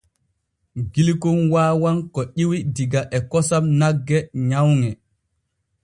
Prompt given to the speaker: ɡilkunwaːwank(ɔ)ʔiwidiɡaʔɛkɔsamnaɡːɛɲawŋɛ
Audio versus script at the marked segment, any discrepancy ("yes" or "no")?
no